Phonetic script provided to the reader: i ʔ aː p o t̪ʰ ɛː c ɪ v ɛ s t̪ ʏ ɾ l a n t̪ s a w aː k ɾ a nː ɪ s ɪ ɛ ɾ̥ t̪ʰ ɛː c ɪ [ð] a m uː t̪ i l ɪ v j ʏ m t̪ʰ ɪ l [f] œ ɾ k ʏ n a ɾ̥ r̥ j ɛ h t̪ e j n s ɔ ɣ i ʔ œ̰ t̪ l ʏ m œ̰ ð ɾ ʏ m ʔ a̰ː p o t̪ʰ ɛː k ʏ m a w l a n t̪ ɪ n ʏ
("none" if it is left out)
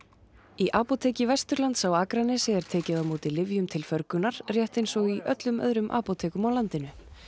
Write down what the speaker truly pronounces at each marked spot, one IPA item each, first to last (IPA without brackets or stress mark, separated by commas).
ð, f